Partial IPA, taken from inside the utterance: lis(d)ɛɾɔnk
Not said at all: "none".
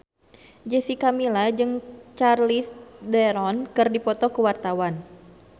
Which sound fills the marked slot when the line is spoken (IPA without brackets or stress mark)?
d